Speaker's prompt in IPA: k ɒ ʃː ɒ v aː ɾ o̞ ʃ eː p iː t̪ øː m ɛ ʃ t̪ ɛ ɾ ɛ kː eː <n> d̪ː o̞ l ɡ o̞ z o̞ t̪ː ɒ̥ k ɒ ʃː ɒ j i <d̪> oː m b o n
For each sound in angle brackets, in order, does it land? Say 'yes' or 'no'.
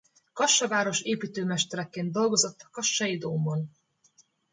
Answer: yes, yes

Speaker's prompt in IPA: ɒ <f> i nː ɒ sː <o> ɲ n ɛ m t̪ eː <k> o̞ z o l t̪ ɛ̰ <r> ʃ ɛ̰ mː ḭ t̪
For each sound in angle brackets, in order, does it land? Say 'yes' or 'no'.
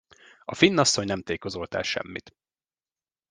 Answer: yes, yes, yes, no

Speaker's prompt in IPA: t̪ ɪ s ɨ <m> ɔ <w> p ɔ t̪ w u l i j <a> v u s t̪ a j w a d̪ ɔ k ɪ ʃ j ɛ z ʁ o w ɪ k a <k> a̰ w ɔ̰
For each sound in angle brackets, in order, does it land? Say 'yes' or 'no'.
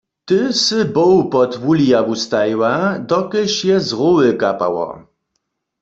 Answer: no, yes, yes, no

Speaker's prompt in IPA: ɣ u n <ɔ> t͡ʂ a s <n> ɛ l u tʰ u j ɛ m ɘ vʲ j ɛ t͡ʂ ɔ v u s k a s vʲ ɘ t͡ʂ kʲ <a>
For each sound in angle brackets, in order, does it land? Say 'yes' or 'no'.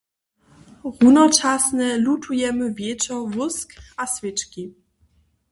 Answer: yes, yes, no

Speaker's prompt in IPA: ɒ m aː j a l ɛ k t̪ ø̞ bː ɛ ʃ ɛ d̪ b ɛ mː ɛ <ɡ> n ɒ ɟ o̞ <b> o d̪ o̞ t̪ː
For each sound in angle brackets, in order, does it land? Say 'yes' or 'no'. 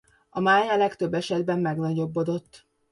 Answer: yes, no

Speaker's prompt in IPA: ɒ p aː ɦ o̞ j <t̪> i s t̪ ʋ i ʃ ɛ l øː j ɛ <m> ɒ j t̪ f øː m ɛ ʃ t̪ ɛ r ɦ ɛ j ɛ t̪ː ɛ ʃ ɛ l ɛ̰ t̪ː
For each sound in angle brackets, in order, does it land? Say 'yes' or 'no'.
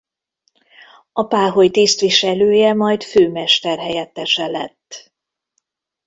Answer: yes, yes

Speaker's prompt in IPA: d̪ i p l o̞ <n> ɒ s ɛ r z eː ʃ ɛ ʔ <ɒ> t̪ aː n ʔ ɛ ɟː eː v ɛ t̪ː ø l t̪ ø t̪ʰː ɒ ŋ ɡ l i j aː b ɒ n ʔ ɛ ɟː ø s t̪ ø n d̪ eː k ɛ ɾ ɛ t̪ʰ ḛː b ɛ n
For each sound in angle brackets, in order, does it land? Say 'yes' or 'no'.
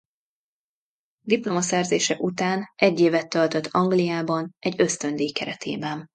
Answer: no, no

